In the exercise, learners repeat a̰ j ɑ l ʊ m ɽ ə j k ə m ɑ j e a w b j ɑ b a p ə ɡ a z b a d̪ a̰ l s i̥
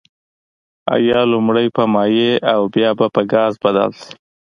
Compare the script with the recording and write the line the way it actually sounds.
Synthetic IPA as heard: a̰ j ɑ l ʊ m ɽ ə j p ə m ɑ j e a w b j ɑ b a p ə ɡ ɑ z b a d̪ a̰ l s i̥